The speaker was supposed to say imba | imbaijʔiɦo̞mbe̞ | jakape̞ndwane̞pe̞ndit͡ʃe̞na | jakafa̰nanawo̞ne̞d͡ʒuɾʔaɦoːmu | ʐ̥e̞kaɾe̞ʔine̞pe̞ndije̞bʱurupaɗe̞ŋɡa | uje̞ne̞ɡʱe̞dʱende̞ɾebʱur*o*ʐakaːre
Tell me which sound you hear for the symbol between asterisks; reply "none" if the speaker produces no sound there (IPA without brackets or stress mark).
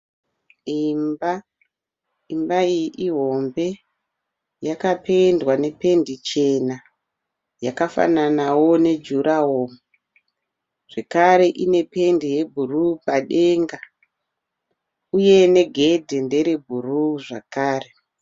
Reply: u